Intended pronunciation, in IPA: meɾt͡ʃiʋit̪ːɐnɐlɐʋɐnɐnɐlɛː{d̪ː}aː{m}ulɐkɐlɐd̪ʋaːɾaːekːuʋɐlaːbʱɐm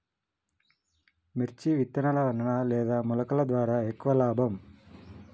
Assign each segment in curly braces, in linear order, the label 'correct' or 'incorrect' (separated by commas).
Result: incorrect, correct